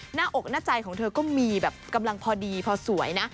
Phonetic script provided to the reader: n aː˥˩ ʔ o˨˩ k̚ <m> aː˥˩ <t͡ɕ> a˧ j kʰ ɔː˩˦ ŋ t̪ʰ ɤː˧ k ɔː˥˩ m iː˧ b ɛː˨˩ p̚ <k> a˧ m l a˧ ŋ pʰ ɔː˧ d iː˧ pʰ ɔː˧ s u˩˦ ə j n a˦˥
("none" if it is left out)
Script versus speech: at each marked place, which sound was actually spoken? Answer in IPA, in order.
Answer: n, t͡ɕ, k

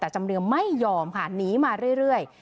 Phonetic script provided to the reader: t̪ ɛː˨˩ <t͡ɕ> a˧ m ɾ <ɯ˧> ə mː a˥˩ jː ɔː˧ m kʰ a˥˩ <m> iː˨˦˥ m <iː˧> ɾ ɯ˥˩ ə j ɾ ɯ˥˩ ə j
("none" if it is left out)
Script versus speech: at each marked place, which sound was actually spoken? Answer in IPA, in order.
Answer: t͡ɕ, ɯ˧, n, aː˧

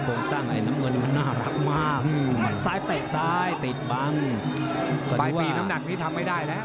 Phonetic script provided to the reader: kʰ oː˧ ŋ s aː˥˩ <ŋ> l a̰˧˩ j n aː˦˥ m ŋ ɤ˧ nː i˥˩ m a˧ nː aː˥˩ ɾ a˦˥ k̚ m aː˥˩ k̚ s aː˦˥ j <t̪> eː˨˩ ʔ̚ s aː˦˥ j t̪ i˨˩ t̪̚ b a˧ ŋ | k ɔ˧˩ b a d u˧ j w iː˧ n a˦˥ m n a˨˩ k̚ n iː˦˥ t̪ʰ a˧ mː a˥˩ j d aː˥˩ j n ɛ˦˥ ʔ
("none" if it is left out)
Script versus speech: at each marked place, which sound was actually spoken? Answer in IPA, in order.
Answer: ŋ, t̪

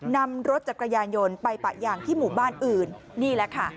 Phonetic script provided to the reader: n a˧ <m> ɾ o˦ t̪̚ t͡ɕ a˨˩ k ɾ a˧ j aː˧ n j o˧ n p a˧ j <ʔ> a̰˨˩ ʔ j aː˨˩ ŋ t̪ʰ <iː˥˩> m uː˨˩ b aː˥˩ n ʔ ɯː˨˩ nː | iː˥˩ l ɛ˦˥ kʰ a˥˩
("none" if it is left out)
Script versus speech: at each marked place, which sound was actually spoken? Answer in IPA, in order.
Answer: m, p, iː˥˩

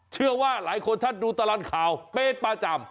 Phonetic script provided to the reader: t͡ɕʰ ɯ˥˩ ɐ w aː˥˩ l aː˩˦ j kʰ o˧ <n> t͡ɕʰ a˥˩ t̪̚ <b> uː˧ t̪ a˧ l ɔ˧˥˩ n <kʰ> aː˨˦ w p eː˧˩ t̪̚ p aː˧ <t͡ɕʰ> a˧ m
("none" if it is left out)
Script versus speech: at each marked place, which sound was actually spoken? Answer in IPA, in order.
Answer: n, d, kʰ, t͡ɕ

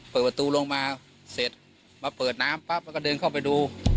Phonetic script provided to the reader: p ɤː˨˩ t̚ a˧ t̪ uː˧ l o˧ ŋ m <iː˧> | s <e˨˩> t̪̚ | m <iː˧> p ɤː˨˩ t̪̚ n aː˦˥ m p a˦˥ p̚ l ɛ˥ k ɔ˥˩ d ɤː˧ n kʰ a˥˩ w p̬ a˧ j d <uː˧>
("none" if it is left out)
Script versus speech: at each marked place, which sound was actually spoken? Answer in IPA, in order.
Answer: aː˧, e˨˩, aː˧, uː˧

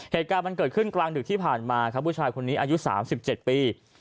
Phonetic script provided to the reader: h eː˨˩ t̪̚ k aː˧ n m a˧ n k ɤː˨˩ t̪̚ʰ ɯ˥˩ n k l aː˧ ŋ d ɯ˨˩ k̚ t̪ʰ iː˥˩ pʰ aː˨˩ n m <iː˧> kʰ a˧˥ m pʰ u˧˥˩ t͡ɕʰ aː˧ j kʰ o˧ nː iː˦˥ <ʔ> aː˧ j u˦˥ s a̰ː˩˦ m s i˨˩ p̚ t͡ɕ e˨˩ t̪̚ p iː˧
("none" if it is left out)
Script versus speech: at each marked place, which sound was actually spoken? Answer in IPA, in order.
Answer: aː˧, ʔ

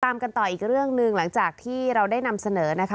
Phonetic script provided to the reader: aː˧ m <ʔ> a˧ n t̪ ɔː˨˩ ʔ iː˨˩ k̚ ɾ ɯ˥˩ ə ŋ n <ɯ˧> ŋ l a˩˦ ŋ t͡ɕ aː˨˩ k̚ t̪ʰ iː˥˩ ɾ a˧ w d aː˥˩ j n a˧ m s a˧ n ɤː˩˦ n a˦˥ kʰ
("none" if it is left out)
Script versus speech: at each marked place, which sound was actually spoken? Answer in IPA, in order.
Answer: k, ɯ˧

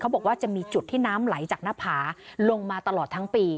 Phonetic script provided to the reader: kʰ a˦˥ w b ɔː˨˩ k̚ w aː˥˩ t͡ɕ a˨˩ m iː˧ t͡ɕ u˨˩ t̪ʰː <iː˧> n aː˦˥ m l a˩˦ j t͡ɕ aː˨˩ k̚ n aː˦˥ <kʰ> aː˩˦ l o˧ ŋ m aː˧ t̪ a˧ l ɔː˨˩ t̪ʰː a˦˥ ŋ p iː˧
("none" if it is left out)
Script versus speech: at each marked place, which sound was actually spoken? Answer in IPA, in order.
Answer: iː˥˩, pʰ

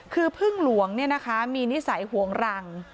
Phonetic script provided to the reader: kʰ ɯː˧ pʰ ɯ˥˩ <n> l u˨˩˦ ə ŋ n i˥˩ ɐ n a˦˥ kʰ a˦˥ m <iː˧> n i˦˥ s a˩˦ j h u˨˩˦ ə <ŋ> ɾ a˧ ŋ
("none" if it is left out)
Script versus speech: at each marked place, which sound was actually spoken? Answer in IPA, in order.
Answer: ŋ, iː˧, ŋ

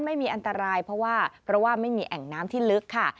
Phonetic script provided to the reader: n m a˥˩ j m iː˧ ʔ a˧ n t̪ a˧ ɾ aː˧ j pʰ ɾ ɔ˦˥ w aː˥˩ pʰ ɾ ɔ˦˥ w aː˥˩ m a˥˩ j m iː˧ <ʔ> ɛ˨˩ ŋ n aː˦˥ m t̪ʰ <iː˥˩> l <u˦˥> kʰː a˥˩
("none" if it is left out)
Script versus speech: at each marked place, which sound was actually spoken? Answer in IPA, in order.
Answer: ʔ, iː˥˩, ɯ˦˥

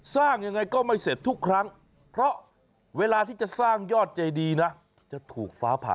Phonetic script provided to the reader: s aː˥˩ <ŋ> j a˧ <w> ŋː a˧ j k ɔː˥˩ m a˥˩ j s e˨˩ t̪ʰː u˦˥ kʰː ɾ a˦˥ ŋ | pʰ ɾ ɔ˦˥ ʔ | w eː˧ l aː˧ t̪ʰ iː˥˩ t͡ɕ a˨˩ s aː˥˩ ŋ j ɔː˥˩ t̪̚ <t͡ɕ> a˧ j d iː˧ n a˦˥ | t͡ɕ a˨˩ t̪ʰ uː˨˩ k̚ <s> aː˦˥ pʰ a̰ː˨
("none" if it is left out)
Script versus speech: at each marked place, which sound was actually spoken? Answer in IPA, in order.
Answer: ŋ, none, t͡ɕ, f

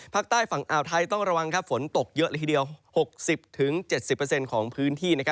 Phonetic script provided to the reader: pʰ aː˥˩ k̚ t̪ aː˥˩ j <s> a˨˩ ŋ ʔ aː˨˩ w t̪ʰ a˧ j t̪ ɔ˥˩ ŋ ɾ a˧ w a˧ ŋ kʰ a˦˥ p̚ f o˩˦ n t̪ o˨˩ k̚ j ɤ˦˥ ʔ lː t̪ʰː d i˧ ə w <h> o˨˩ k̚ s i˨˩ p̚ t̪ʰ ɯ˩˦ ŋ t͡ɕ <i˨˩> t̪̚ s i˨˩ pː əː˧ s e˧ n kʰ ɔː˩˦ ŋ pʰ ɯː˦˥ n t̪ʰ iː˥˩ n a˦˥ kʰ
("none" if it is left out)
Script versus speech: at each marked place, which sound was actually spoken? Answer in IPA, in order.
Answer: f, h, e˨˩

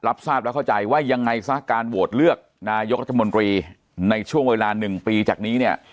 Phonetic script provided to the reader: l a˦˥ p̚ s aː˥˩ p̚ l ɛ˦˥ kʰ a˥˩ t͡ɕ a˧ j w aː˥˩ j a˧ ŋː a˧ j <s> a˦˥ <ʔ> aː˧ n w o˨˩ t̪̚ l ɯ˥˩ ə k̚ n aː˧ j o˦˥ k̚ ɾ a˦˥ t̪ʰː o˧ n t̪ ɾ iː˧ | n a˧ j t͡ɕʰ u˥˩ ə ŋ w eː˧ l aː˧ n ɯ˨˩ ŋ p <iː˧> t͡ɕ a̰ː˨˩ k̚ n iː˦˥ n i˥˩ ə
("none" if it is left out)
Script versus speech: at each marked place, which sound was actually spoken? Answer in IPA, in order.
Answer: s, k, iː˧

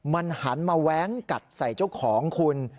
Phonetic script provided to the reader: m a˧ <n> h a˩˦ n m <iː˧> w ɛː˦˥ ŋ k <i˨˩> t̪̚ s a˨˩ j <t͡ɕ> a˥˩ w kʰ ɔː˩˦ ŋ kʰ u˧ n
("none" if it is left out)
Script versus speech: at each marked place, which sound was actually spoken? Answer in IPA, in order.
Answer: n, aː˧, a˨˩, t͡ɕ

